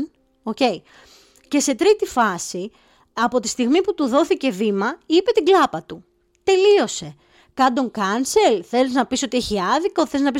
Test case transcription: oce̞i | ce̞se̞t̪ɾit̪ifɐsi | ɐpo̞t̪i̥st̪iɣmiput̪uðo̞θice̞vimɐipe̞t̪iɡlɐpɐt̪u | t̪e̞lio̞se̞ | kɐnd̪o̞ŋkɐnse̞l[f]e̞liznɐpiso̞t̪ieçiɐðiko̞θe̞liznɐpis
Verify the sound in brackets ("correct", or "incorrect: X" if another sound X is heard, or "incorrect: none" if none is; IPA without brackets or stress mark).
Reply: incorrect: θ